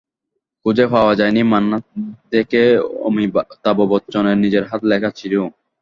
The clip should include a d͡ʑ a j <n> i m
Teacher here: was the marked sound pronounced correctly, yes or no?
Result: yes